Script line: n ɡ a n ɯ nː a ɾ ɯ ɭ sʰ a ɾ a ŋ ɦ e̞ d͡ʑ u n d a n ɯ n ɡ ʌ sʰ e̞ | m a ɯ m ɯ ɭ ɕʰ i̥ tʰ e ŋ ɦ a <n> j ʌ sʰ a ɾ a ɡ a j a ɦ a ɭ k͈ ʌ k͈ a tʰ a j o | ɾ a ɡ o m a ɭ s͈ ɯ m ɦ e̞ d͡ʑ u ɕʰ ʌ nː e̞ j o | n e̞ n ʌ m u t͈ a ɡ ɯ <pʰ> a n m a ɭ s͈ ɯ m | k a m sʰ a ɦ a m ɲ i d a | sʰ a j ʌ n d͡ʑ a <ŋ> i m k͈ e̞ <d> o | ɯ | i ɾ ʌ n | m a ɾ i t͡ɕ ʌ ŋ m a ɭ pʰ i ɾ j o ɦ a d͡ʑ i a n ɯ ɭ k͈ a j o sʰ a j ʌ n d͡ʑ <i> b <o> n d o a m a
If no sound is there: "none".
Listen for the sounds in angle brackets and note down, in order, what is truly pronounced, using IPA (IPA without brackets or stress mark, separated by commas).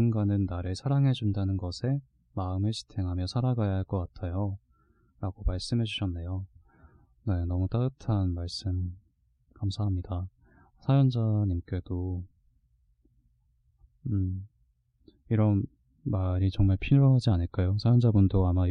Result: m, tʰ, ɲ, d, a, u